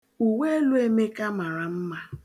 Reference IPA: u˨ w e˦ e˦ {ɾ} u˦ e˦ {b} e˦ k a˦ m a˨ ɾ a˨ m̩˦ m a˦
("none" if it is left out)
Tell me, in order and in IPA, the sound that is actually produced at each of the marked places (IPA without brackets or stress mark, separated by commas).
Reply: l, m